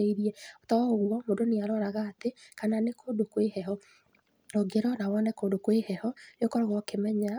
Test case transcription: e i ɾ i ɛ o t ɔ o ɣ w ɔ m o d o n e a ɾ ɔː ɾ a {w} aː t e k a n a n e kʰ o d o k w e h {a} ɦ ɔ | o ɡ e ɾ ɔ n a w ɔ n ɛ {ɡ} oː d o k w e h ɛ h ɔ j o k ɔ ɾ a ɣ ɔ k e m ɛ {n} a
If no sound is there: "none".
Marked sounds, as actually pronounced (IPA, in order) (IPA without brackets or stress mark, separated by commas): ɣ, ɛ, k, ɲ